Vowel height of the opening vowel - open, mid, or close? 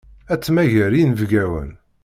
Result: open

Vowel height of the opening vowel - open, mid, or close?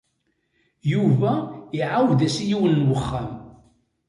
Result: close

